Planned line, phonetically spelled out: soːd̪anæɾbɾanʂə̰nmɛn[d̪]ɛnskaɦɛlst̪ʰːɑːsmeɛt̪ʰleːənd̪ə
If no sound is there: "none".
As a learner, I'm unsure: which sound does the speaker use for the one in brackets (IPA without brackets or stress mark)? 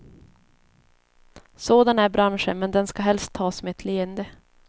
d̪